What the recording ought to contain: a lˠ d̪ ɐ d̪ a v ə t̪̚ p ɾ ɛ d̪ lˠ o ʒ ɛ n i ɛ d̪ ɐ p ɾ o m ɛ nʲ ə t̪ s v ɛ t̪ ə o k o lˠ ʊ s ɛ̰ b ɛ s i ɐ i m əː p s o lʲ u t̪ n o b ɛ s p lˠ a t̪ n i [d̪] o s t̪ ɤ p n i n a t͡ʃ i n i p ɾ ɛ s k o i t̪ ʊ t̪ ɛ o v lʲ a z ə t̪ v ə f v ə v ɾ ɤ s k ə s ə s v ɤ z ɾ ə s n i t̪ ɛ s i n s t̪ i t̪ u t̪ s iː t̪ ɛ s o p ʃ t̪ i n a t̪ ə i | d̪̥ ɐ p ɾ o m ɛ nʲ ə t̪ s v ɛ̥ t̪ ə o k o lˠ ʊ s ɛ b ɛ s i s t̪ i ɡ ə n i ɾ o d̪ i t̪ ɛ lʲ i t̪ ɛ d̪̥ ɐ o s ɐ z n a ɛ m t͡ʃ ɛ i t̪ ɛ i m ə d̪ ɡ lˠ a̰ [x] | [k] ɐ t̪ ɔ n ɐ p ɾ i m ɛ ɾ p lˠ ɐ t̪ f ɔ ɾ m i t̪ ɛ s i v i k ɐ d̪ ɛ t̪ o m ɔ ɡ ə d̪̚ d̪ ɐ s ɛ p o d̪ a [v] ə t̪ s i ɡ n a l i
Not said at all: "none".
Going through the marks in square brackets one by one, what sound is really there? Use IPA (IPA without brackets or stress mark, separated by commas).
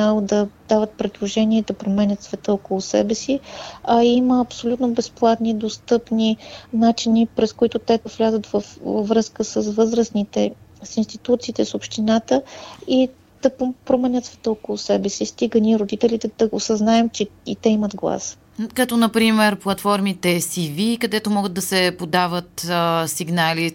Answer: d̪, s, k, v